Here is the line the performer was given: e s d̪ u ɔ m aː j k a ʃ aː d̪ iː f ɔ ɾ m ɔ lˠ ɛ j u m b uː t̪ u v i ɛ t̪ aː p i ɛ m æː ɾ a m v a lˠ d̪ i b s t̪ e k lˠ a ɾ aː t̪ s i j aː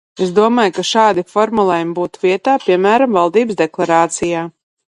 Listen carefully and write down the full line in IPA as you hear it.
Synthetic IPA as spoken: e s d̪ u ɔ m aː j k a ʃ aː d̪ i f ɔ ɾ m u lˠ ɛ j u m b uː t̪ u v i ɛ t̪ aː p i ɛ m æː ɾ a m v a lˠ d̪ iː b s d̪ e k lˠ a ɾ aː t̪ s i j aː